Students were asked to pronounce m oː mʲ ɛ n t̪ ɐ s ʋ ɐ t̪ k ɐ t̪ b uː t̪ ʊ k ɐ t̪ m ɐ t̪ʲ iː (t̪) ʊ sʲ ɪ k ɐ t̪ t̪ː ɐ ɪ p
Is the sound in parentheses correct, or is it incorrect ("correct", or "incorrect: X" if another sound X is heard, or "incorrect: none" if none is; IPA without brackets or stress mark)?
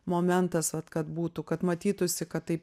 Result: correct